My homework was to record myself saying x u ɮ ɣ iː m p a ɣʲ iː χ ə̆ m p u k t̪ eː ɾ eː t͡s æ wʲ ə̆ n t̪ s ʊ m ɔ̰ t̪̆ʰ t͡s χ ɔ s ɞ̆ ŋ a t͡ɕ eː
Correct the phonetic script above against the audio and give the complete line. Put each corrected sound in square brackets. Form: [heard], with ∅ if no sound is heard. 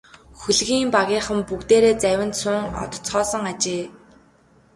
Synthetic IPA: x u ɮ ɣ iː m p a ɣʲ iː χ ə̆ m p u k t̪ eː ɾ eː t͡s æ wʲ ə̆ n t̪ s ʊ [ŋ] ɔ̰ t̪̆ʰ t͡s χ [ɔː] s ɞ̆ ŋ a t͡ɕ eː